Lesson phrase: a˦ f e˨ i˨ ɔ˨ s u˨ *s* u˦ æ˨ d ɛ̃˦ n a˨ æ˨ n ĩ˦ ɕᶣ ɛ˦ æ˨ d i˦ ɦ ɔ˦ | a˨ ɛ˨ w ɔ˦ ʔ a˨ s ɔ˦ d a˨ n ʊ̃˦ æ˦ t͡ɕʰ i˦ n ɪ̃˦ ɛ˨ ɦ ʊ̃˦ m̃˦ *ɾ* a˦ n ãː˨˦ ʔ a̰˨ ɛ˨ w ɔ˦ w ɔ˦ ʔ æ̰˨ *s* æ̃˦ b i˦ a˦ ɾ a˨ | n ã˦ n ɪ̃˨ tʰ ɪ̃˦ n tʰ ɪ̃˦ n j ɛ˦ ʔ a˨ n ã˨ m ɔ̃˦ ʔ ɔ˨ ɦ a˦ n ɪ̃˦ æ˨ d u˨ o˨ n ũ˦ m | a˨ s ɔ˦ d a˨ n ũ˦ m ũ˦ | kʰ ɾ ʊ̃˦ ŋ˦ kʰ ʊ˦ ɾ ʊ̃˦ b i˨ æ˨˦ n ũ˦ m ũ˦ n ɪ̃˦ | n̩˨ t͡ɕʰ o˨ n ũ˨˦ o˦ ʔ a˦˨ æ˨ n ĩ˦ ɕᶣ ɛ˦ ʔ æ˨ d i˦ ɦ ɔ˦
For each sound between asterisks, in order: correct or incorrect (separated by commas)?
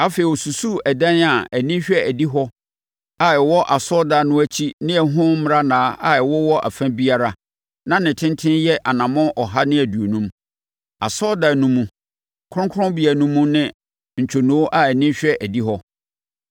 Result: correct, correct, incorrect